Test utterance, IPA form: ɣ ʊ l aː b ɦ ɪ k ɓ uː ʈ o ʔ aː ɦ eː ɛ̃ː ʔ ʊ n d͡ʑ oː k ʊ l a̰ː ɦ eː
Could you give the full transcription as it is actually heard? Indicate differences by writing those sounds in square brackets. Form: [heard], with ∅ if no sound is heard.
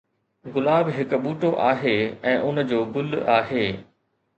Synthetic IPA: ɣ ʊ l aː b ɦ ɪ k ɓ uː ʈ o ʔ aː ɦ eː ɛ̃ː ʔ ʊ n d͡ʑ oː [ɡ] ʊ l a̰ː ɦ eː